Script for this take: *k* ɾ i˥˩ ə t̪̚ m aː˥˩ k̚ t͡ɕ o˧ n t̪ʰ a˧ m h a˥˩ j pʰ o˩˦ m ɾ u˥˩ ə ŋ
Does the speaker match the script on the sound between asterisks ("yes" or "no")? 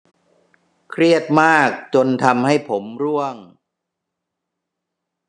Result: no